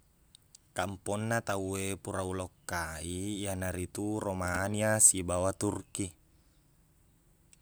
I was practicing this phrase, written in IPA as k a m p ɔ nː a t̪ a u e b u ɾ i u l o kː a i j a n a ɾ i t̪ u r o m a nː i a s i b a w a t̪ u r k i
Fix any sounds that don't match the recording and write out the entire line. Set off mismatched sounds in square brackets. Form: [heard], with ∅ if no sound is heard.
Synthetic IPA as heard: k a m p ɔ nː a t̪ a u e [p] u ɾ [a] u l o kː a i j a n a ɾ i t̪ u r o m a [n] i a s i b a w a t̪ u r k i